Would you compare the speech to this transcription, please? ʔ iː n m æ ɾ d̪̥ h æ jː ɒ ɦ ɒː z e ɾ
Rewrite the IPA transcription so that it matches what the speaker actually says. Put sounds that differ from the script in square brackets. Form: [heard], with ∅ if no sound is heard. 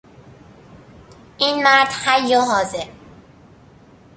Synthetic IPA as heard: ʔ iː n m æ ɾ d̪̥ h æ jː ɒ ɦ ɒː z e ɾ